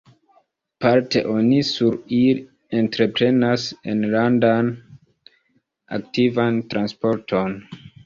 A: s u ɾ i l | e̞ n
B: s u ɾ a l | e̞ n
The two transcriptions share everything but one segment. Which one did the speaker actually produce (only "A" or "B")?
A